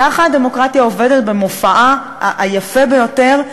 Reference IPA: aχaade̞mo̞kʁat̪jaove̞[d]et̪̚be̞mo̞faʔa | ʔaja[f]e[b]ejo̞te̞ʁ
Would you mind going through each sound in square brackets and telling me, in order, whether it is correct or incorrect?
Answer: correct, correct, correct

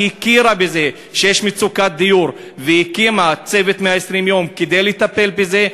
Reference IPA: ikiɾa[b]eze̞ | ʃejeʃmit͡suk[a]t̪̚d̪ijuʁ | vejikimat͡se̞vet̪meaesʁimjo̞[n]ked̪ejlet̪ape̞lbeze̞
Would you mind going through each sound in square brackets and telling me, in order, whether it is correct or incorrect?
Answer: correct, correct, incorrect

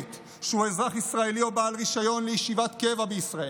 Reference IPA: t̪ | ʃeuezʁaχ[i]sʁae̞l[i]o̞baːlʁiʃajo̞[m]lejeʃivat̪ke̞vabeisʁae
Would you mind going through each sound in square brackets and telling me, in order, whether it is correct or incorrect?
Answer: correct, correct, incorrect

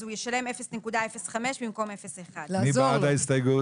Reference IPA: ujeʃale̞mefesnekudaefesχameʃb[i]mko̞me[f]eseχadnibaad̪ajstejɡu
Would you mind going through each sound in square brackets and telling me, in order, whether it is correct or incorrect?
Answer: correct, correct

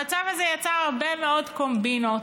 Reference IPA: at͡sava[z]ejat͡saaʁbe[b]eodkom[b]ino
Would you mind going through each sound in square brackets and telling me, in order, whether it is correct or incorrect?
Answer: correct, incorrect, correct

